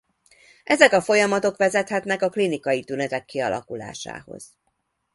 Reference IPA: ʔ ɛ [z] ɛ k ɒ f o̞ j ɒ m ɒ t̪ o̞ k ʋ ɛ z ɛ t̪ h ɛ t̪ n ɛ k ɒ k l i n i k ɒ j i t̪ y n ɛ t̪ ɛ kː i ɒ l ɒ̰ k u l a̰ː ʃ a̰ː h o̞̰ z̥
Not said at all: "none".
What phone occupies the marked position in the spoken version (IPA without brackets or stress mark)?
z